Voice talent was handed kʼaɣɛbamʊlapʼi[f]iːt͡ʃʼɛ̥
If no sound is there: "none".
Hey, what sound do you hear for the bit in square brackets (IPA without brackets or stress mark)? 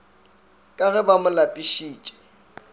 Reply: ʃ